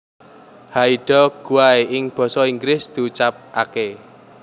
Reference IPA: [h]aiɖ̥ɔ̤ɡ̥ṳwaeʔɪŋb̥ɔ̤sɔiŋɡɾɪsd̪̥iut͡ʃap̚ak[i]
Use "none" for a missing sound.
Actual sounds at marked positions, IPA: h, e

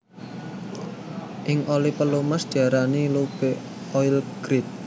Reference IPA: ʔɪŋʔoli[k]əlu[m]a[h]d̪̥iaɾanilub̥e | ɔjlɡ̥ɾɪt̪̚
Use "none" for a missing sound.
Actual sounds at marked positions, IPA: p, m, s

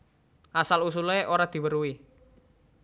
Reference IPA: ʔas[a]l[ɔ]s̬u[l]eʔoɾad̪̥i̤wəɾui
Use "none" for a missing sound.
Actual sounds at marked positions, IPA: a, u, l

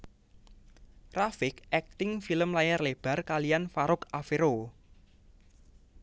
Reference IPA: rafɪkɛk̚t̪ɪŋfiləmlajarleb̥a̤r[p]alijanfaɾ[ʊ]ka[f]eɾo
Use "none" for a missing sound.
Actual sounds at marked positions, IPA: k, ʊ, f

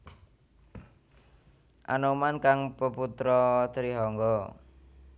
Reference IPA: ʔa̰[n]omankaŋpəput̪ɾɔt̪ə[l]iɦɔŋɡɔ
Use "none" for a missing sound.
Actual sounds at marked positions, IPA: n, ɾ

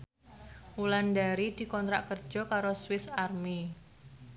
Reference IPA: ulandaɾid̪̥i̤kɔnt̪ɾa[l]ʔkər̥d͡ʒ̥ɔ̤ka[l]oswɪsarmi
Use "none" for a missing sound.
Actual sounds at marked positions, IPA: none, ɾ

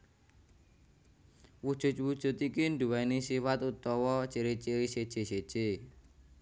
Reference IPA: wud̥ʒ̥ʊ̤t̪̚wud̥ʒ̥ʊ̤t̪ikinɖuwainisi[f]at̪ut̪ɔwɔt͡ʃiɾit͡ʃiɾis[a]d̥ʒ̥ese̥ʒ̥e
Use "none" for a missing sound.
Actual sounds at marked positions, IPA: f, e

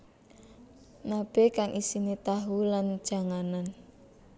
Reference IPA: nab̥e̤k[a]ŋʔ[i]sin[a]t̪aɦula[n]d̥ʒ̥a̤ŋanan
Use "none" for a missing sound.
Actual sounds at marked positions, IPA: a, i, e, n

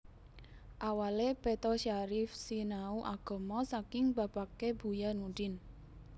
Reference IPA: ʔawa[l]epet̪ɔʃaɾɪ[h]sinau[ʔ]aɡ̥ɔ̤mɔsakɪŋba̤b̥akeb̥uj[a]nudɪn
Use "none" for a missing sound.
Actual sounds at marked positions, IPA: l, f, ʔ, a

